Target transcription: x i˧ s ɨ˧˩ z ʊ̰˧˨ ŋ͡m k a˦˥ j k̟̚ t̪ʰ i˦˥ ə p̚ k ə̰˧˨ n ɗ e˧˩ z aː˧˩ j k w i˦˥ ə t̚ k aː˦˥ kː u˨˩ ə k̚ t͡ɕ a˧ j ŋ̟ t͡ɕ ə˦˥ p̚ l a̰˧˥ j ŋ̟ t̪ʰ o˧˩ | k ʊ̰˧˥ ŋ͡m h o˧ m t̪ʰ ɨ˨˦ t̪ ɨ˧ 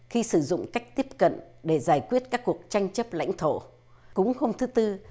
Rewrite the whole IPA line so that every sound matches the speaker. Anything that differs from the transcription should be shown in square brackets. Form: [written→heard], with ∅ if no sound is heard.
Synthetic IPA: x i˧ s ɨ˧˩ z ʊ̰˧˨ ŋ͡m k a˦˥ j k̟̚ [t̪ʰ→t̪] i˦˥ ə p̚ k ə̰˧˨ n ɗ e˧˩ z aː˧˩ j k w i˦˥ ə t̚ k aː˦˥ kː u˨˩ ə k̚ t͡ɕ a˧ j ŋ̟ t͡ɕ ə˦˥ p̚ l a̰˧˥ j ŋ̟ t̪ʰ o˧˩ | k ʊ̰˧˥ ŋ͡m h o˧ m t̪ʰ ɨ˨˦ t̪ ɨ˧